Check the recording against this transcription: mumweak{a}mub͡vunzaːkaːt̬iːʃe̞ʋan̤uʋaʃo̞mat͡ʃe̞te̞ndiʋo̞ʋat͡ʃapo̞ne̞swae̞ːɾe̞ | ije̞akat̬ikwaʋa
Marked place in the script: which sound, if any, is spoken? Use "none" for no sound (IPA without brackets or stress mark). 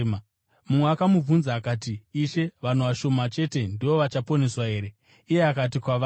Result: a